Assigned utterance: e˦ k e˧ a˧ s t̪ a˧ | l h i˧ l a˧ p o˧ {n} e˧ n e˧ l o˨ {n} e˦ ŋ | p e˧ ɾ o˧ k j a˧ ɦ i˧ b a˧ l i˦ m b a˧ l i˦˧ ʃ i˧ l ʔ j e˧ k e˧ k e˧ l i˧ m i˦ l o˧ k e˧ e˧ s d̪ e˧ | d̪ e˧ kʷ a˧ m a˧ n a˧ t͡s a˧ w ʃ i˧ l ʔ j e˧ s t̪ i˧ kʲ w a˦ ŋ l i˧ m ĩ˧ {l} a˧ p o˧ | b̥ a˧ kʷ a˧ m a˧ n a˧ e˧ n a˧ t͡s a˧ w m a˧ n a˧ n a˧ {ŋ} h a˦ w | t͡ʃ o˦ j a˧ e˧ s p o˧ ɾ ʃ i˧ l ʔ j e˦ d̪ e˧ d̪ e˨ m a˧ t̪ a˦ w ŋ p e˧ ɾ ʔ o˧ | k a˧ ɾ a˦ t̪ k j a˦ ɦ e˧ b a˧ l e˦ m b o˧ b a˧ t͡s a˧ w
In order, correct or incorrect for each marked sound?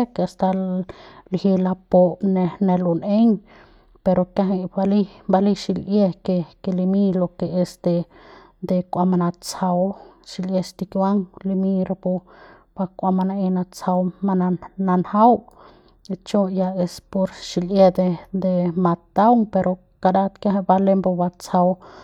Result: correct, correct, incorrect: ɾ, incorrect: n

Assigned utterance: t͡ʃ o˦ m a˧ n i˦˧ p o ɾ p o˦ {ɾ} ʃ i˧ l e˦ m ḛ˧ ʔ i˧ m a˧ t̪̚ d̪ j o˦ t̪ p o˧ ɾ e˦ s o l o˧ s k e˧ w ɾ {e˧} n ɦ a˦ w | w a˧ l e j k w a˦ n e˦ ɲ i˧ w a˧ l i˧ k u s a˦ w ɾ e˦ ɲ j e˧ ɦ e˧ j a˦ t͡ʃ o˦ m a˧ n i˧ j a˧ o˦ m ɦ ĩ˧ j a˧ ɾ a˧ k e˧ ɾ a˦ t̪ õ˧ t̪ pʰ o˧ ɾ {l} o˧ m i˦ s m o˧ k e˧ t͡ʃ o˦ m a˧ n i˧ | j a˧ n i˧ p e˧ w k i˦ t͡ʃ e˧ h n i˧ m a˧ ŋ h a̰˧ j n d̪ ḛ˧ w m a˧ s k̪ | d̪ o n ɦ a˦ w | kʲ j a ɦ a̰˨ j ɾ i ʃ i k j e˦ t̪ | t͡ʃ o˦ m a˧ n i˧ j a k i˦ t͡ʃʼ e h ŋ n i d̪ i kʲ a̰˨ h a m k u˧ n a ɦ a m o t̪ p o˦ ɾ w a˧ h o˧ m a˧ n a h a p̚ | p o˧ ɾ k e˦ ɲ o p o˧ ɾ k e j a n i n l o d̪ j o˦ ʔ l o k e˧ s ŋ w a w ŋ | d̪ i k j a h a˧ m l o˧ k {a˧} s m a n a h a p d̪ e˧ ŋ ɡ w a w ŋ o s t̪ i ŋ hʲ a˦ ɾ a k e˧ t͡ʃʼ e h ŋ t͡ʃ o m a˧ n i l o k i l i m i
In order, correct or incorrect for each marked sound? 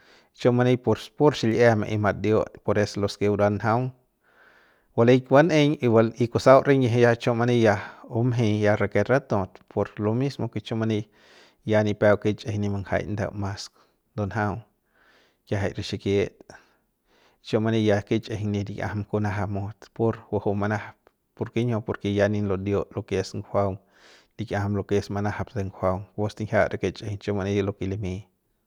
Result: correct, incorrect: a˧, correct, incorrect: e˧

